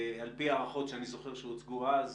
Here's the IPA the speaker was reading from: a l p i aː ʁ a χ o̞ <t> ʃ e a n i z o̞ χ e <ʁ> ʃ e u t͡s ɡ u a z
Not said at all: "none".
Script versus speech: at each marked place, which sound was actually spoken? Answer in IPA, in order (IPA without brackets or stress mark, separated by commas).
t, ʁ